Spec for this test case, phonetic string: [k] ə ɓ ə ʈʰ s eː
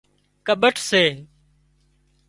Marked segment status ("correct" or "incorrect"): correct